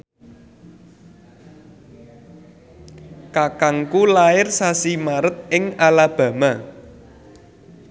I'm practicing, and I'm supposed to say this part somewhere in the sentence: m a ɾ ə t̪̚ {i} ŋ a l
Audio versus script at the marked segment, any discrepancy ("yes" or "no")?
yes